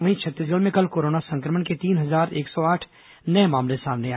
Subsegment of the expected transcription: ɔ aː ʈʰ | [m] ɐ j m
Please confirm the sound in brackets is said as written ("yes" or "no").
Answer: no